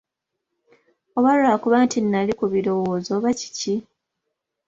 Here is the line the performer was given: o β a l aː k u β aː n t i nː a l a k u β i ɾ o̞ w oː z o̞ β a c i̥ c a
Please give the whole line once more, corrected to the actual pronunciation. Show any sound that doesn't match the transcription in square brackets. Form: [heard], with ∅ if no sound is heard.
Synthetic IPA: o β a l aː k u β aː n t i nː a l [i] k u β i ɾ o̞ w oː z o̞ β a c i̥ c [i]